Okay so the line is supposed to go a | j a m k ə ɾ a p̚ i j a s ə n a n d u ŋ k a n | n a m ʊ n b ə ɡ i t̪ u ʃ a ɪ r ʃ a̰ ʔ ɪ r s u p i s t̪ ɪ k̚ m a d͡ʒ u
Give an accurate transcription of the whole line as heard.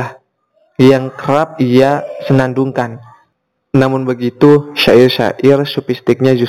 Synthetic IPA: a | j a ŋ k ə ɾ a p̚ i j a s ə n a n d u ŋ k a n | n a m ʊ n b ə ɡ i t̪ u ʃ a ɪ r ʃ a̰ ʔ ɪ r s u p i s t̪ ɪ k̚ ɲ a d͡ʒ u